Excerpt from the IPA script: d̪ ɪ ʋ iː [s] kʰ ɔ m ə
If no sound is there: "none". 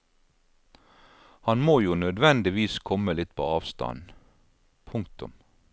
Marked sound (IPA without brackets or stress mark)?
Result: s